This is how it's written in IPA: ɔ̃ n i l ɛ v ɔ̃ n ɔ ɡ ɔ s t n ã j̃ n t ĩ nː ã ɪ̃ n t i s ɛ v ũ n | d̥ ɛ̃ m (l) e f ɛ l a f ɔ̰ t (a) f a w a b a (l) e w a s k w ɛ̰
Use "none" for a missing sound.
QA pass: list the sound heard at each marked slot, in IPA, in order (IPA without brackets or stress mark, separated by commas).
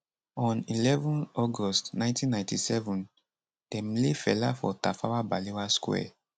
l, a, l